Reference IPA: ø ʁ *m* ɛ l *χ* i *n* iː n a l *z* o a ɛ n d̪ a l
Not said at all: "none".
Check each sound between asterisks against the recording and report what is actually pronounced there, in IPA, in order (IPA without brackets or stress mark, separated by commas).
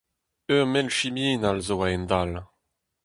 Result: m, ʃ, m, z